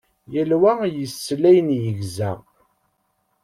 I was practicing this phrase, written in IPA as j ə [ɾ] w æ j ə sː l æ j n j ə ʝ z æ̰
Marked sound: incorrect: l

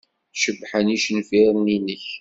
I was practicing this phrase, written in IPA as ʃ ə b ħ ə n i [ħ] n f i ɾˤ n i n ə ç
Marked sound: incorrect: ʃ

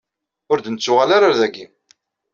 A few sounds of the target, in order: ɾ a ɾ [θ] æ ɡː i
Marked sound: incorrect: ð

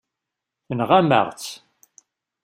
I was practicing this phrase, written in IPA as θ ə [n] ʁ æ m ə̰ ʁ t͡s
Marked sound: correct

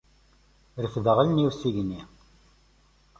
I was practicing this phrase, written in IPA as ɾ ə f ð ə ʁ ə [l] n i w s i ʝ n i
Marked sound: correct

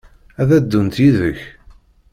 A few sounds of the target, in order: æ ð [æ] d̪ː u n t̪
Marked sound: correct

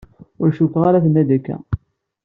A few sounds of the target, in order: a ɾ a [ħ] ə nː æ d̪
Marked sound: incorrect: θ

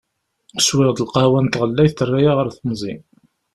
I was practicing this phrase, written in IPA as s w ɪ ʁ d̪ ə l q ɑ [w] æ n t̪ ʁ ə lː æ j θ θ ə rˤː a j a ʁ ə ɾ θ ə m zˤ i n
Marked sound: correct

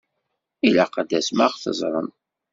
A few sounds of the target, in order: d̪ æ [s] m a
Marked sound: correct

